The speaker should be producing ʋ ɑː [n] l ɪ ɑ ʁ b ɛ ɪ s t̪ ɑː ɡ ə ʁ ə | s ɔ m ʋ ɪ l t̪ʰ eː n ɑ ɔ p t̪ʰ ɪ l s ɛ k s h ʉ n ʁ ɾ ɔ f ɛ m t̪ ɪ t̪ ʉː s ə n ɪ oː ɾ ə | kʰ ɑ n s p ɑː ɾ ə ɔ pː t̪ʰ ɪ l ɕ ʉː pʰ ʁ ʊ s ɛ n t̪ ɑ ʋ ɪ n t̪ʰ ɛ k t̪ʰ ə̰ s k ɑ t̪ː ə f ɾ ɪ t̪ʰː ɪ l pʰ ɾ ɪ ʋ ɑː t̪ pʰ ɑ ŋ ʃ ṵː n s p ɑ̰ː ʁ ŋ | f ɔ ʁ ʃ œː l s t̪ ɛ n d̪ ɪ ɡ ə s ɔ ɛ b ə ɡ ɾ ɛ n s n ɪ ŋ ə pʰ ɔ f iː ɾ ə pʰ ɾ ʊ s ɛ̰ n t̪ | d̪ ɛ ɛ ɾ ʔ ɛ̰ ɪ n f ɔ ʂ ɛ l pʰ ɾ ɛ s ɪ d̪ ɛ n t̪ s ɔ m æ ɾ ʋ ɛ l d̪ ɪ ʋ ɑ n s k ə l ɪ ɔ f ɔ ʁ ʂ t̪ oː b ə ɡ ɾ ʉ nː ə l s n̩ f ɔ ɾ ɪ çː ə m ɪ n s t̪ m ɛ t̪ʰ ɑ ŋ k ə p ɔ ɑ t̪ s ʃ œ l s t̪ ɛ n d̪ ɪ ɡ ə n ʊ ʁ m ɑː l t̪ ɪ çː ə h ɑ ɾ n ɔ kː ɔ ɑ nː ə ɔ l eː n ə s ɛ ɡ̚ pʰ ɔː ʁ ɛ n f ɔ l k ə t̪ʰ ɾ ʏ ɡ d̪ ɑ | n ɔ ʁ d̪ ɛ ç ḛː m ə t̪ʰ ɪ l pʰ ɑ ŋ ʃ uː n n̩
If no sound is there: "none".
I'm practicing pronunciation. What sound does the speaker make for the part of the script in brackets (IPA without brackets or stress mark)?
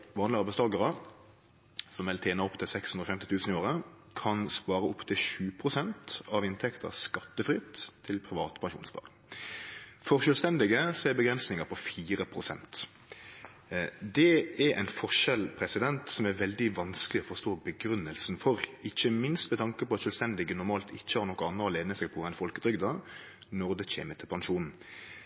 n